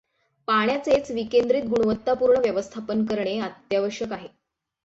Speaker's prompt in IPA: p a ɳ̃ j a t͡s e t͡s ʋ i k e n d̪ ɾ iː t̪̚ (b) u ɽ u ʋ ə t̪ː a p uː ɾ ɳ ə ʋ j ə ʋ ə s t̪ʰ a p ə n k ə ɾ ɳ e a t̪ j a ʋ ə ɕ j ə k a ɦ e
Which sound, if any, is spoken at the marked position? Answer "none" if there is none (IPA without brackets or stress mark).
ɡ